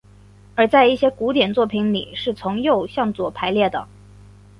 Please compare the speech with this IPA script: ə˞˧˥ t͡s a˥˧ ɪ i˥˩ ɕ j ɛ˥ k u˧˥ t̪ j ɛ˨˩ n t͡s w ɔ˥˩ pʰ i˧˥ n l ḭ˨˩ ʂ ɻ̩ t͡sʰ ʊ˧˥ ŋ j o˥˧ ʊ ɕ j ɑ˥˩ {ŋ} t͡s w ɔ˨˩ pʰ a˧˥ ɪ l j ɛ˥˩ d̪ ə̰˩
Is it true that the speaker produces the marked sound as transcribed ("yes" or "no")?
yes